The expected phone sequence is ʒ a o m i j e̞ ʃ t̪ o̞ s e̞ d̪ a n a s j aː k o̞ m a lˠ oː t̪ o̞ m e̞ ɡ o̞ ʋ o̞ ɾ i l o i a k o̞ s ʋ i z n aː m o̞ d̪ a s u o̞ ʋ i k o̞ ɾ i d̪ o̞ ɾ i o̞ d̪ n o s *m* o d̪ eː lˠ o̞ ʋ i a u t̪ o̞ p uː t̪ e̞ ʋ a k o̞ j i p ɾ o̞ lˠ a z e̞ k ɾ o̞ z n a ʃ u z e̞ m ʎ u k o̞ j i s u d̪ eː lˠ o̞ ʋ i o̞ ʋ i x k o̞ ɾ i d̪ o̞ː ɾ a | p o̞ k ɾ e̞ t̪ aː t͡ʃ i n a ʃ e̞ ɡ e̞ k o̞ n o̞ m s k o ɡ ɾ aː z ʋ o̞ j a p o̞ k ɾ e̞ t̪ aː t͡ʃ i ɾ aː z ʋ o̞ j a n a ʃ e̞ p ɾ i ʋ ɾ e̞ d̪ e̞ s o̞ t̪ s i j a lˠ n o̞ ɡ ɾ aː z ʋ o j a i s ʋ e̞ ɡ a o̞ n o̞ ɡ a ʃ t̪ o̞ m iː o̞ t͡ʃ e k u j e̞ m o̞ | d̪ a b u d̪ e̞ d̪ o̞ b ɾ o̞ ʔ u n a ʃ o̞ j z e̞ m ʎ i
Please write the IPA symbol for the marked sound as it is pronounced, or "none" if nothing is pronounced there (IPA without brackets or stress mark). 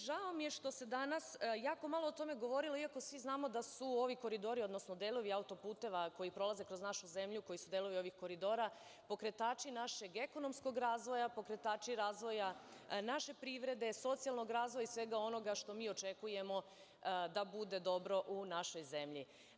n